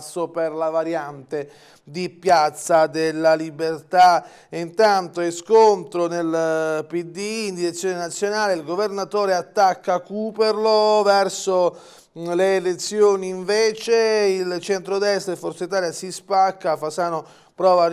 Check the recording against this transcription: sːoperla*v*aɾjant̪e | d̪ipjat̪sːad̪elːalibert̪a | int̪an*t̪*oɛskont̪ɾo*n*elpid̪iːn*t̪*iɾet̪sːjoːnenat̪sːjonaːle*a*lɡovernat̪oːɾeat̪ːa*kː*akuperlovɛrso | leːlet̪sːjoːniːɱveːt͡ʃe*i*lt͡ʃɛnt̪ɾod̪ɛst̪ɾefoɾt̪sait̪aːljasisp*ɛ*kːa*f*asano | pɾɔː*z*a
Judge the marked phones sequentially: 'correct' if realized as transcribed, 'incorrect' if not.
correct, correct, correct, incorrect, incorrect, correct, correct, incorrect, correct, incorrect

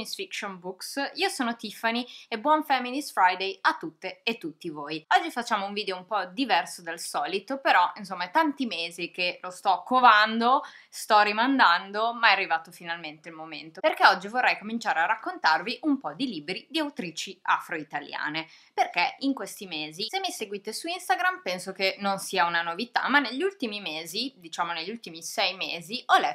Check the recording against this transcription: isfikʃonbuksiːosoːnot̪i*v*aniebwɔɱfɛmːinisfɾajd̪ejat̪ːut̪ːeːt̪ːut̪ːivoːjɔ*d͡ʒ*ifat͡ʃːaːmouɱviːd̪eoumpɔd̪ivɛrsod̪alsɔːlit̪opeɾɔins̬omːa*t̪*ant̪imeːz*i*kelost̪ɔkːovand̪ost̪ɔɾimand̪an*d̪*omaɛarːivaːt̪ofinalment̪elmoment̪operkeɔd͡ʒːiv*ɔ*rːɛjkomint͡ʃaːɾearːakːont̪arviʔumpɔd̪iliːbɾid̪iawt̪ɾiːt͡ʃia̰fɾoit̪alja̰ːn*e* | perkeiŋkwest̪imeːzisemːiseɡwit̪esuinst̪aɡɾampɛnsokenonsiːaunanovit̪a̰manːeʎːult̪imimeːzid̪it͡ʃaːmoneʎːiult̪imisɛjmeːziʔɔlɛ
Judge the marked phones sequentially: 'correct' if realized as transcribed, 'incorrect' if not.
incorrect, incorrect, correct, correct, correct, incorrect, correct

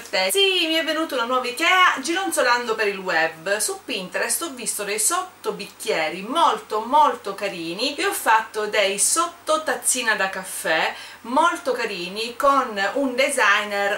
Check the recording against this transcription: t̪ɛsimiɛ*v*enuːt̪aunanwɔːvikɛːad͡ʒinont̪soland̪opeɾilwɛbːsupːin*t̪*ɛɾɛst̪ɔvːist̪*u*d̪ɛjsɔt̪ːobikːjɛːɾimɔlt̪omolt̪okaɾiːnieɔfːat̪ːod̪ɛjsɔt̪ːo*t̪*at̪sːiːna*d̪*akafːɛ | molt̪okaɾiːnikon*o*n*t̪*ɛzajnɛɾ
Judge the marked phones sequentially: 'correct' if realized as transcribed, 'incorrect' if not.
incorrect, correct, incorrect, correct, correct, incorrect, incorrect

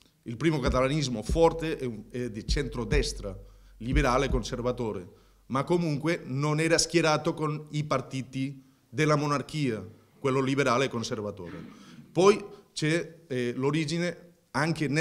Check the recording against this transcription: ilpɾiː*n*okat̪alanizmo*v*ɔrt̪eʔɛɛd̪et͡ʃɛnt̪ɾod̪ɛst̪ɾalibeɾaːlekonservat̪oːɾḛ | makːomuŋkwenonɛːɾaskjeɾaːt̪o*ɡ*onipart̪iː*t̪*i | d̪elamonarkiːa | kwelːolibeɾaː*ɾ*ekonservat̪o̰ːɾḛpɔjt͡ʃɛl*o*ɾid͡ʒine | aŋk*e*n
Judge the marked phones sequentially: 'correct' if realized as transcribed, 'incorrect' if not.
incorrect, incorrect, incorrect, correct, incorrect, correct, correct

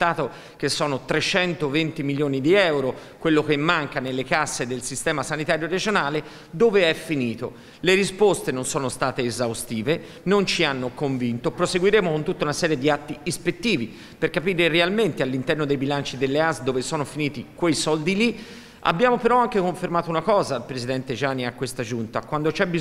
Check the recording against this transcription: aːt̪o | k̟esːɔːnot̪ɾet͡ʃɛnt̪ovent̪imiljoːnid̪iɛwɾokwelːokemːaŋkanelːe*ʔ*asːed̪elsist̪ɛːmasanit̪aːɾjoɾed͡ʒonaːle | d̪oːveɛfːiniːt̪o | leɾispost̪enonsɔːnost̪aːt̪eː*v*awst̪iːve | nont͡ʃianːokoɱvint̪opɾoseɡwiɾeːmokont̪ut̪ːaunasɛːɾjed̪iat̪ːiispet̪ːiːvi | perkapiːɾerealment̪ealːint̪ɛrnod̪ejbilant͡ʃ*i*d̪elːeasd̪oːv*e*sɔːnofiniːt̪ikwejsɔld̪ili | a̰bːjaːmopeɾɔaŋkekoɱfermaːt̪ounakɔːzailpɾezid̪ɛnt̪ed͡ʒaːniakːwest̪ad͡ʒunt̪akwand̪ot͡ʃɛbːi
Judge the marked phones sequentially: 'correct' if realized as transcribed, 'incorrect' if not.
incorrect, incorrect, correct, correct

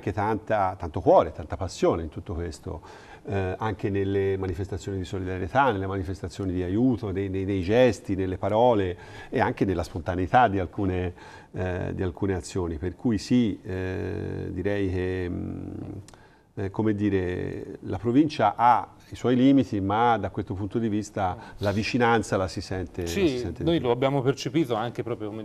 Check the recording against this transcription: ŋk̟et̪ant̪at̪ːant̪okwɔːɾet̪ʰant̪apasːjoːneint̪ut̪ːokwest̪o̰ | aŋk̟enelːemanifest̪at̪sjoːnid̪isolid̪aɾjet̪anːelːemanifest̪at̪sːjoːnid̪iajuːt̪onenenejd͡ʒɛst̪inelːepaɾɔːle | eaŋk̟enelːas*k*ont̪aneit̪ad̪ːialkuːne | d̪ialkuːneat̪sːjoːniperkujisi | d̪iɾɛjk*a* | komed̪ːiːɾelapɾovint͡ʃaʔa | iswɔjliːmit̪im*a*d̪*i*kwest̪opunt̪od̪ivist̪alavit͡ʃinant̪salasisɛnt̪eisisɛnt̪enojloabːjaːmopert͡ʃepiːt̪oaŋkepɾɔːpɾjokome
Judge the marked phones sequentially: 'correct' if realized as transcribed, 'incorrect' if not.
incorrect, incorrect, correct, incorrect

